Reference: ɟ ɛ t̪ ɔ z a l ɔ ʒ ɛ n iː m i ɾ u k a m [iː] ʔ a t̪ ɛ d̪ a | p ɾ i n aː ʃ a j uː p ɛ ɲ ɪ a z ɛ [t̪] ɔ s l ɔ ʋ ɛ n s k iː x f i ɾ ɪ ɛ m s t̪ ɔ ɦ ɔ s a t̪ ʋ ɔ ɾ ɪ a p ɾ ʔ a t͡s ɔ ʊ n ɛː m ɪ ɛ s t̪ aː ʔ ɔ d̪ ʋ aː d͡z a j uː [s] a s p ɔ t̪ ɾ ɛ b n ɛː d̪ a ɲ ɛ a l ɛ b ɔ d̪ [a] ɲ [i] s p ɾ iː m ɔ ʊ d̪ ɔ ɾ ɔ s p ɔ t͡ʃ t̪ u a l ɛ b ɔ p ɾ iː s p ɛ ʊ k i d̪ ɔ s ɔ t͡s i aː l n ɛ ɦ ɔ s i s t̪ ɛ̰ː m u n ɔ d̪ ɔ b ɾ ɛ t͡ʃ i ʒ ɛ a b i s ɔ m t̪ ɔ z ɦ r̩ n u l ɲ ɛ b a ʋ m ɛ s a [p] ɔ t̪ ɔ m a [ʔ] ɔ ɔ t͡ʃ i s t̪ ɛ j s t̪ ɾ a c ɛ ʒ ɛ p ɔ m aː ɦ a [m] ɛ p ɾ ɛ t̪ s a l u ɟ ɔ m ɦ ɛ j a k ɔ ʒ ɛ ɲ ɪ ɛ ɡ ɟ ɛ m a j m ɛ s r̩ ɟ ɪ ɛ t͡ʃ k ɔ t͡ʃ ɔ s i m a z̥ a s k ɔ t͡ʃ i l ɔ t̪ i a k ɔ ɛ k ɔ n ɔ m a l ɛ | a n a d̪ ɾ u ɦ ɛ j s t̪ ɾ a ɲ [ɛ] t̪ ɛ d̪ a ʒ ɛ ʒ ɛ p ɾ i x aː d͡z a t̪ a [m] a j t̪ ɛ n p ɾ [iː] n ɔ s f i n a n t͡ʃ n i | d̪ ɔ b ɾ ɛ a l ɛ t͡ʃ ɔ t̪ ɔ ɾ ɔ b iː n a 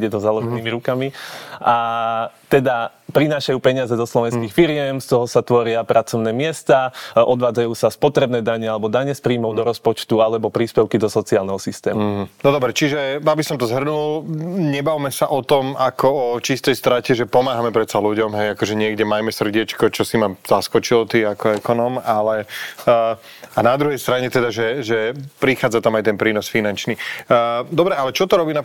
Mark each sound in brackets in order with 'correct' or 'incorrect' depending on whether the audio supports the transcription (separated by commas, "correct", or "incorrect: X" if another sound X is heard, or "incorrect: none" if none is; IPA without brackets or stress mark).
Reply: incorrect: i, incorrect: d̪, correct, correct, incorrect: ɛ, incorrect: ʔ, incorrect: k, correct, correct, correct, correct